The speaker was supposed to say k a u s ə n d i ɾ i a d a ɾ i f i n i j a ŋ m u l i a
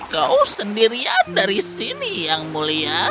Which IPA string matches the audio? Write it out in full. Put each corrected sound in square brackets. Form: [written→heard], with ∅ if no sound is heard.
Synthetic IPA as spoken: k a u s ə n d i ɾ i a d a ɾ i [f→s] i n i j a ŋ m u l i a